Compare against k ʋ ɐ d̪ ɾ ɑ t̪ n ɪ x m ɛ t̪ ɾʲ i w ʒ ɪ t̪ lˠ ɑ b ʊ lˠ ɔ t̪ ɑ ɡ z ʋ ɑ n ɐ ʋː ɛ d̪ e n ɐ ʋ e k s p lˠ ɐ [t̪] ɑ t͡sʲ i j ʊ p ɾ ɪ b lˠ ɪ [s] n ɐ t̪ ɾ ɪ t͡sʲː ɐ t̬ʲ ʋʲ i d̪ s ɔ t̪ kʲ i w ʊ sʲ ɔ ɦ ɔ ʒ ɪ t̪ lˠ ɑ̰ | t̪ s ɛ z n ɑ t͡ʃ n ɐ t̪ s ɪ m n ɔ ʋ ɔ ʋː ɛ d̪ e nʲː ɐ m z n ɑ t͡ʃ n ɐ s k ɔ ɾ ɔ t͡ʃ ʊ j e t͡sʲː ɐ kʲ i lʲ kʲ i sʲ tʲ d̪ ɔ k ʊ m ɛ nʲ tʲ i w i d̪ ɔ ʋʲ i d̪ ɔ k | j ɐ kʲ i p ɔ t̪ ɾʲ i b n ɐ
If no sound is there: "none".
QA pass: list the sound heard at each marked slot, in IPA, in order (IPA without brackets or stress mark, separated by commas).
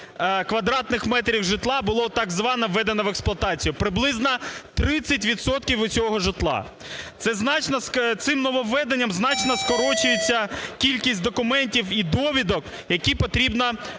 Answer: t̪, z